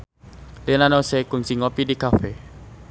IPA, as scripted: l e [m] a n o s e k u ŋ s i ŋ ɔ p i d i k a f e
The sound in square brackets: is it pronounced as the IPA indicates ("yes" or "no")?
no